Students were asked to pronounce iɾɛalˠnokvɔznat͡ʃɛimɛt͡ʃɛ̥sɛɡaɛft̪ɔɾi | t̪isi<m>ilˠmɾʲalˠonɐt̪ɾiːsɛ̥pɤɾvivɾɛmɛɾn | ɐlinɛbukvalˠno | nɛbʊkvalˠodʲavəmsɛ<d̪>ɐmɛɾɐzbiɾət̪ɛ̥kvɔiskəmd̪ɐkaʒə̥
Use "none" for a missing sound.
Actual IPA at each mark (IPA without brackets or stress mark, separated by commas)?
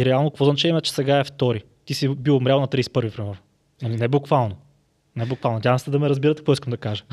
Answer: b, d̪